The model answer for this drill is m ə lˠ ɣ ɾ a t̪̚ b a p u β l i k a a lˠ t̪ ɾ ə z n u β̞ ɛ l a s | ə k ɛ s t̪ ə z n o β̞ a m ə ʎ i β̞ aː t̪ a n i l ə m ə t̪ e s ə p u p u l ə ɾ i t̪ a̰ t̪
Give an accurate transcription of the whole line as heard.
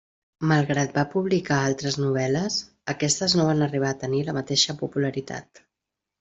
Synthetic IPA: m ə lˠ ɣ ɾ a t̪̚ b a p u β l i k a a lˠ t̪ ɾ ə z n u β̞ ɛ l ə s | ə k ɛ s t̪ ə z n o β̞ a n ə r i β̞ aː t̪ ə n i l ə m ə t̪ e ʃ ə p u p u l ə ɾ i t̪ a̰ t̪